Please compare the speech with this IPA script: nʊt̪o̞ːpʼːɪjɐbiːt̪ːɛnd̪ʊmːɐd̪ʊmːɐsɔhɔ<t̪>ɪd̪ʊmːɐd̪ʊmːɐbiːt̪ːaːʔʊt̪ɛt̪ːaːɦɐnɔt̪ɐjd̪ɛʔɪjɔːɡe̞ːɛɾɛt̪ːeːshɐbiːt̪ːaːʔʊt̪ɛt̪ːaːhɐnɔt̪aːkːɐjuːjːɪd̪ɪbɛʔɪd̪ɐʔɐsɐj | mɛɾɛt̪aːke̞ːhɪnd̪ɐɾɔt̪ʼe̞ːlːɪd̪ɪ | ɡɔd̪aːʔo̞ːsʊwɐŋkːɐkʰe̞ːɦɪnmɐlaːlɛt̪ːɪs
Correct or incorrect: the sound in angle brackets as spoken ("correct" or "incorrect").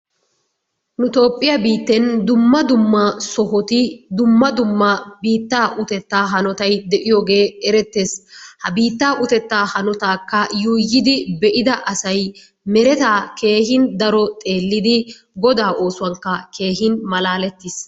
correct